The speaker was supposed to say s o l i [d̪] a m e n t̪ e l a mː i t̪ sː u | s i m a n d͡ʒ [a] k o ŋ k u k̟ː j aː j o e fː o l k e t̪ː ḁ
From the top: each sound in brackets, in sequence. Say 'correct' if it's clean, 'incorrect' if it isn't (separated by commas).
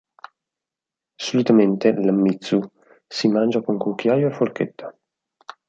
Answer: incorrect, correct